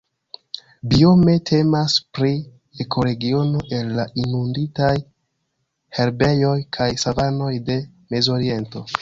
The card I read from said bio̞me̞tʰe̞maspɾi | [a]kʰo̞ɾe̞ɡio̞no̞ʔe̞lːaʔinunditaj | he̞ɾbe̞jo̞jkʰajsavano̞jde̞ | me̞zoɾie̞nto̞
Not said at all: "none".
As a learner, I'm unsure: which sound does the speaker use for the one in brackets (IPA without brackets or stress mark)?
e